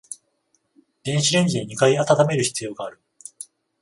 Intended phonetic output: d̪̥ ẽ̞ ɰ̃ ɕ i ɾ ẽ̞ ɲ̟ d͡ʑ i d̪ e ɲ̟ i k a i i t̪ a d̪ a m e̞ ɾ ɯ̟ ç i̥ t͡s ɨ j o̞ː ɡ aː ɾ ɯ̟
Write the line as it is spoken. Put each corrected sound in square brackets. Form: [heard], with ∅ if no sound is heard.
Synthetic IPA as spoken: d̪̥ ẽ̞ ɰ̃ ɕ i ɾ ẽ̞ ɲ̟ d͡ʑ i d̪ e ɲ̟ i k a i [a] t̪ a [t̪] a m e̞ ɾ ɯ̟ ç i̥ t͡s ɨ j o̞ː ɡ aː ɾ ɯ̟